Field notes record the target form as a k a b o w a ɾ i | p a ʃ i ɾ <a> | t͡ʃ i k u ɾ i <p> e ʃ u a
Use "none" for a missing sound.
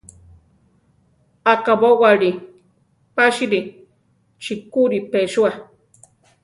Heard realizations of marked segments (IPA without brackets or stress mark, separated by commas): i, p